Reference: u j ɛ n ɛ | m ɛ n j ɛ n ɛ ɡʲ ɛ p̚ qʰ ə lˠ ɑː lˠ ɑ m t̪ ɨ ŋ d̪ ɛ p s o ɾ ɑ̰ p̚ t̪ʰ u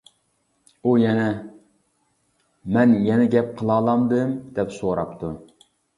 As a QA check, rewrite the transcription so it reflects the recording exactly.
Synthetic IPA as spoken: u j ɛ n ɛ | m ɛ n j ɛ n ɛ ɡʲ ɛ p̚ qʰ ə lˠ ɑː lˠ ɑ m d̪ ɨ m d̪ ɛ p s o ɾ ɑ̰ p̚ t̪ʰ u